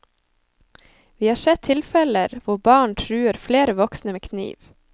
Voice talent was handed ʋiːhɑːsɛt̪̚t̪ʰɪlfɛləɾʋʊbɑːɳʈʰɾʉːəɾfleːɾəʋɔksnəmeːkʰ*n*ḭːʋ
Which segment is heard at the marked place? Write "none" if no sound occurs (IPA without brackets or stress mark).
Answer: n